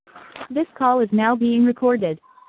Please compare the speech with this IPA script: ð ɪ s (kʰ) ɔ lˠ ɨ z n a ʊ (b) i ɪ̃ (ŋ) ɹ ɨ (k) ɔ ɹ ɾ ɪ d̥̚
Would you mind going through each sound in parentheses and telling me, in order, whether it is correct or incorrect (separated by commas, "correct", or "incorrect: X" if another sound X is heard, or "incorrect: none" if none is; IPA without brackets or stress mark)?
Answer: correct, correct, correct, incorrect: kʰ